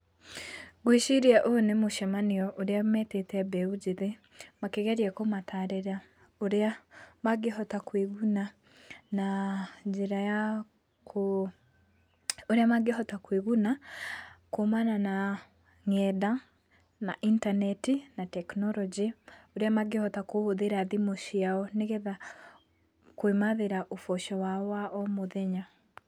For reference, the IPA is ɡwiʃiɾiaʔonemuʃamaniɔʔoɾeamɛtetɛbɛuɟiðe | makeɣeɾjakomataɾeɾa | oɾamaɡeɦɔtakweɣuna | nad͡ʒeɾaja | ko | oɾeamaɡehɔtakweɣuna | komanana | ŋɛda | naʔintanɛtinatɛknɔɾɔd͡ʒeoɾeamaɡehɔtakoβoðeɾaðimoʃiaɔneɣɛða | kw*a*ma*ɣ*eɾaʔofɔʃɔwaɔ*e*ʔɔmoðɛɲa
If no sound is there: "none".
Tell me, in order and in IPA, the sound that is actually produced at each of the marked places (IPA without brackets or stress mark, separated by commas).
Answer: e, ð, a